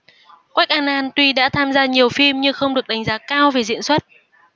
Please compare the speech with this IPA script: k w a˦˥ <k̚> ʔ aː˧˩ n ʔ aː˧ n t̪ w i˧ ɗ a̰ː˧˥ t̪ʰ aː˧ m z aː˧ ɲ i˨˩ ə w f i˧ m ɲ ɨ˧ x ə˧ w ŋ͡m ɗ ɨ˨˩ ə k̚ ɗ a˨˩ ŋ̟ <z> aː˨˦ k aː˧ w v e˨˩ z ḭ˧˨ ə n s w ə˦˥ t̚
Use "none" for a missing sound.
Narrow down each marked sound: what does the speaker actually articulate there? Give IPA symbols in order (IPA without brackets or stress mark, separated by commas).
k̚, z